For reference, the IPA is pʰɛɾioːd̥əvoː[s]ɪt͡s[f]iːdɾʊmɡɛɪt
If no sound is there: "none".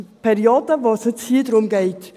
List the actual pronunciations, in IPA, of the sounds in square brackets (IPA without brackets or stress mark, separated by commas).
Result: s, h